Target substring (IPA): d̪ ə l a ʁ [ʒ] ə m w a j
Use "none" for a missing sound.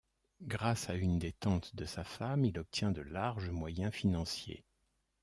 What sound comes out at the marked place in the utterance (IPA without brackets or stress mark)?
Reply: ʒ